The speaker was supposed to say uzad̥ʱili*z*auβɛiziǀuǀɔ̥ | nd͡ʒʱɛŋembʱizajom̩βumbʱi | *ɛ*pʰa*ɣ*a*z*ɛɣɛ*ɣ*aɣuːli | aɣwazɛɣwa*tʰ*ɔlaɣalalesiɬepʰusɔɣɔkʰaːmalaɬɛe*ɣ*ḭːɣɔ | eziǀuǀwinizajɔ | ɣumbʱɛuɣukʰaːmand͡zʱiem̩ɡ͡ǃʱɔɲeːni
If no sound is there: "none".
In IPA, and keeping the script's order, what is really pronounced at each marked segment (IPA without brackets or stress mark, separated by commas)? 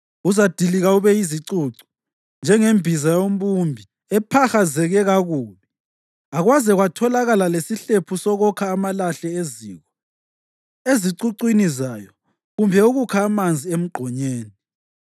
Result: ɣ, ɛ, x, z, ɣ, tʰ, z